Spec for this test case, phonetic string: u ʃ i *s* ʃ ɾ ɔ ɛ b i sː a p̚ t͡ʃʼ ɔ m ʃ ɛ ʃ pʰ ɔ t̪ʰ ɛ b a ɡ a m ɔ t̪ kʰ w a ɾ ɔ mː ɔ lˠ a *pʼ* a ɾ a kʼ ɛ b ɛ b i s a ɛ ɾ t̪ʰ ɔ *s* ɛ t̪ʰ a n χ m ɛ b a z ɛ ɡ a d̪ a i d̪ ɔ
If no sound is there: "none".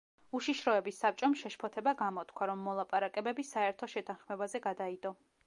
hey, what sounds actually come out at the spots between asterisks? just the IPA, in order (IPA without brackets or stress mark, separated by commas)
none, pʼ, ʃ